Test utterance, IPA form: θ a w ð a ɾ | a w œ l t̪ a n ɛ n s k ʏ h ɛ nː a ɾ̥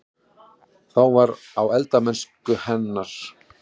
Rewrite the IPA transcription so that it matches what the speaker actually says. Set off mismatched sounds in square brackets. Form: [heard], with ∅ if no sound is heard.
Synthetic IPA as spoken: θ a w [v] a ɾ | a w [ɛ] l t̪ a [m] ɛ n s k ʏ h ɛ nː a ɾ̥

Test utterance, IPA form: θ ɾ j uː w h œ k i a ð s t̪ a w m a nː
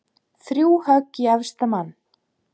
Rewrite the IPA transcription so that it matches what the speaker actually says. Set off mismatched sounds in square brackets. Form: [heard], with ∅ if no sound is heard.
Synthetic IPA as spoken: θ ɾ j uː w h œ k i a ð s t̪ a [∅] m a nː

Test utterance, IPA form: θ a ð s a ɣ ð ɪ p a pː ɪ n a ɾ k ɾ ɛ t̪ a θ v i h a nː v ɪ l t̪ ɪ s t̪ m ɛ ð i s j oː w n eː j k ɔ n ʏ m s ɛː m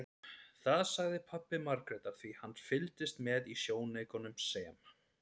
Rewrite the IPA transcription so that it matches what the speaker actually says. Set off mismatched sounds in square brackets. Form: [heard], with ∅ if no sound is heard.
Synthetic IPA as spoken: θ a ð s a ɣ ð ɪ [pʰ] a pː ɪ [m] a ɾ k ɾ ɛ t̪ a θ v i h a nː [f] ɪ l t̪ ɪ s t̪ m ɛ ð i s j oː w n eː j k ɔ n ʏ m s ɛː m

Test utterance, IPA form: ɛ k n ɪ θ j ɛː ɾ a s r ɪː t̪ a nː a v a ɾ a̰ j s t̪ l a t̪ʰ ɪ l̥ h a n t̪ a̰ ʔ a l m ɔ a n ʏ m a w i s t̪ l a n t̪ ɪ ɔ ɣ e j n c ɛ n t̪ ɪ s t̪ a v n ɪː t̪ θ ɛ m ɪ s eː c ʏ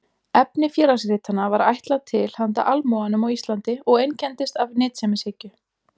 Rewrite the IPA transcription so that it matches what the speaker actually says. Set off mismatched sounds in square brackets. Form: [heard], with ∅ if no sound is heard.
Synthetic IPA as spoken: ɛ [p] n ɪ [f] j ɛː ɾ a s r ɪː t̪ a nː a v a ɾ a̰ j [h] t̪ l a t̪ʰ ɪ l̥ h a n t̪ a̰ ʔ a l m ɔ a n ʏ m a w i s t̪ l a n t̪ ɪ ɔ ɣ e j n c ɛ n t̪ ɪ s t̪ a v n ɪː t̪ [s] ɛ m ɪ s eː c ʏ

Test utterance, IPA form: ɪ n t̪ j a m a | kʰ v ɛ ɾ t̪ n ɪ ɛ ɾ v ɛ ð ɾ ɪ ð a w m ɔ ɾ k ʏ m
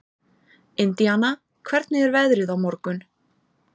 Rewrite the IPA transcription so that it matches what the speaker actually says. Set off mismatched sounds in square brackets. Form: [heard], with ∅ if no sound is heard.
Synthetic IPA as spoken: ɪ n t̪ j a [n] a | kʰ v ɛ ɾ t̪ n ɪ ɛ ɾ v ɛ ð ɾ ɪ ð a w m ɔ ɾ k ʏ [n]

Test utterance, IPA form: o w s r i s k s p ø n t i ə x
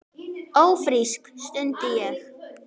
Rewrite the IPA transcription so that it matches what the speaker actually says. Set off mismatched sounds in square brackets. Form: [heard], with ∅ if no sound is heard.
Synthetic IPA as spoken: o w [f] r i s k s [t] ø n t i ə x

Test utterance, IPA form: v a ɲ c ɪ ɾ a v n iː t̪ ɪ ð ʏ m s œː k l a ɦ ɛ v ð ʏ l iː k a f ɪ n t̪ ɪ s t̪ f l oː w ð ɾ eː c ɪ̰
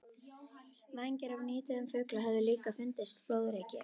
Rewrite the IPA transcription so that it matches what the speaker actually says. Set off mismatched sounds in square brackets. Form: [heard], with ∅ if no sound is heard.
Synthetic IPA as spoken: v a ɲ c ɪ ɾ a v n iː t̪ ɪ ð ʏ m [f] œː k l a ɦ ɛ v ð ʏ l iː k a f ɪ n t̪ ɪ s t̪ f l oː w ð ɾ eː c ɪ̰

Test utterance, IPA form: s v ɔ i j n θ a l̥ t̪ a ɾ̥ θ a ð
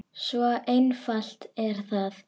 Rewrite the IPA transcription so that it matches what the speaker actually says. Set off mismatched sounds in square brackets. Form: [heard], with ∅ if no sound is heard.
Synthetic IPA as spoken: s v ɔ [e] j n [f] a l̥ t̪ [ɛ] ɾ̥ θ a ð

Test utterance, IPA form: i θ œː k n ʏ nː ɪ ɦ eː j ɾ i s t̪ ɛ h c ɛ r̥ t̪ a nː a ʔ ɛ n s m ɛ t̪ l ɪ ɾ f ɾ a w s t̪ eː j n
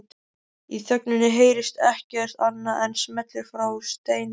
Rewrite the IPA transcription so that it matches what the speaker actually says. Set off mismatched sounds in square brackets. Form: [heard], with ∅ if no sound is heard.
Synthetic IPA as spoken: i θ [œ] k n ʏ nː ɪ ɦ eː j ɾ [ɪ] s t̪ ɛ h c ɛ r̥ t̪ a nː a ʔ ɛ n s m ɛ t̪ l ɪ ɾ f ɾ a w s t̪ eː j n

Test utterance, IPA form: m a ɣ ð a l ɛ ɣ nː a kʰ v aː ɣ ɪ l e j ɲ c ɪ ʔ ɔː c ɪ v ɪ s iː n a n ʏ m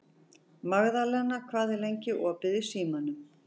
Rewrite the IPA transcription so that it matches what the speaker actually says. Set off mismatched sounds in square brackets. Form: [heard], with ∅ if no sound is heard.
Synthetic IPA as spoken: m a ɣ ð a l ɛ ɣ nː a kʰ v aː [ð] ɪ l e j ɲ c ɪ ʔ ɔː [p] ɪ [ð] ɪ s iː [m] a n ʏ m

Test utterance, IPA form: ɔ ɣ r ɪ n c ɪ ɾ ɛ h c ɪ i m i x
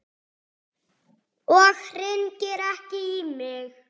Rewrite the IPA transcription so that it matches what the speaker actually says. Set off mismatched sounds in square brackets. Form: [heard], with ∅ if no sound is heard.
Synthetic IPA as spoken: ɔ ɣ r ɪ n c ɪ ɾ ɛ h c ɪ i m [ɪ] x

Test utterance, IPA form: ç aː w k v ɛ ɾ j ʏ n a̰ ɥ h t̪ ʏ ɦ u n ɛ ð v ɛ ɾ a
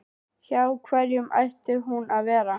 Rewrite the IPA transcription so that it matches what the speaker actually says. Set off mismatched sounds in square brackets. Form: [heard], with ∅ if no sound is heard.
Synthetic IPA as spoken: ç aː w [kʰ] v ɛ ɾ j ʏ [m] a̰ ɥ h t̪ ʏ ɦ u n [a] ð v [ɛː] ɾ a

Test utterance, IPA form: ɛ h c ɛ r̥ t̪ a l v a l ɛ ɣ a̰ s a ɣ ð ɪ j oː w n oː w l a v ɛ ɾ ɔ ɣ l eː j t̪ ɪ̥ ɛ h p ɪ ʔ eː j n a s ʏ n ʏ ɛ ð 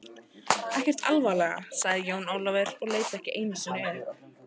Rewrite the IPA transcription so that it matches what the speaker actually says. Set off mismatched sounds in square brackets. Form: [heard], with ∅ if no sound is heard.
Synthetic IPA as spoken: ɛ h c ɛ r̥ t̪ a l v a l ɛ ɣ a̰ s a ɣ ð ɪ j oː w n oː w l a v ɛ ɾ ɔ ɣ l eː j t̪ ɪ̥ ɛ h [c] ɪ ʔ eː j n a s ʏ n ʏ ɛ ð

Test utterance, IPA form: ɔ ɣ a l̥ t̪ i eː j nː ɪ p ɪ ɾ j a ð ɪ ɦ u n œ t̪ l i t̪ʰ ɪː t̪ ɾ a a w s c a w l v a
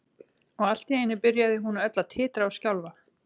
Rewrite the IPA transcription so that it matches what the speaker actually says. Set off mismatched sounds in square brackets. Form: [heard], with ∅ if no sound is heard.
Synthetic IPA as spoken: ɔ ɣ a l̥ t̪ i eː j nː ɪ p ɪ ɾ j a ð ɪ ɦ u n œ t̪ l [a] t̪ʰ ɪː t̪ ɾ a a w s c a w l v a

